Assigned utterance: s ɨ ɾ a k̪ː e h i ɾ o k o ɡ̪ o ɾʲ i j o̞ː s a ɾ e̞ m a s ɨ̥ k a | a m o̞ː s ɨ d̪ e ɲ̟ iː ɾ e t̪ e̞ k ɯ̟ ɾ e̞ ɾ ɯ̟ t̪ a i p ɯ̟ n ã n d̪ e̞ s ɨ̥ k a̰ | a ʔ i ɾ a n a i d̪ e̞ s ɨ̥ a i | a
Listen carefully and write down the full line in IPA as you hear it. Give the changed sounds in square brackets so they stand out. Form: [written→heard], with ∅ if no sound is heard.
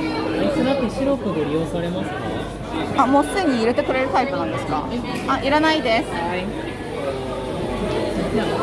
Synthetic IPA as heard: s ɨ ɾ a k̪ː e [h→ɕ] i ɾ o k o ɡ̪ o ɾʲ i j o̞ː s a ɾ e̞ m a s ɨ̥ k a | a m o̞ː s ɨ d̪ e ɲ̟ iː ɾ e t̪ e̞ k ɯ̟ ɾ e̞ ɾ ɯ̟ t̪ a i p ɯ̟ n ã n d̪ e̞ s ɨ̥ k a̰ | a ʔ i ɾ a n a i d̪ e̞ s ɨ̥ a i | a